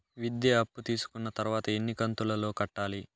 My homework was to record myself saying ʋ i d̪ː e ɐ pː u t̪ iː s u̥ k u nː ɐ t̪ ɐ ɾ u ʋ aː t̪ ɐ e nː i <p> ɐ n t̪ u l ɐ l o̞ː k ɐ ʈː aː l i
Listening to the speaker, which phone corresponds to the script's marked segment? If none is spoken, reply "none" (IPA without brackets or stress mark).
k